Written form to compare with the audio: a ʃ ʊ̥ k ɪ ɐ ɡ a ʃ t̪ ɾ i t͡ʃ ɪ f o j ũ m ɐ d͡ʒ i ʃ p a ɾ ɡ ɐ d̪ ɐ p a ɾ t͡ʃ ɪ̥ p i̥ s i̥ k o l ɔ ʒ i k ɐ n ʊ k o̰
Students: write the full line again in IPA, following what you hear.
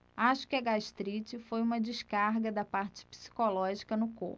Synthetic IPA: a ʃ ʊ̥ k ɪ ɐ ɡ a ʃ t̪ ɾ i t͡ʃ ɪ f o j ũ m ɐ d͡ʒ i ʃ k a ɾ ɡ ɐ d̪ ɐ p a ɾ t͡ʃ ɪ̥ p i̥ s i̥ k o l ɔ ʒ i k ɐ n ʊ k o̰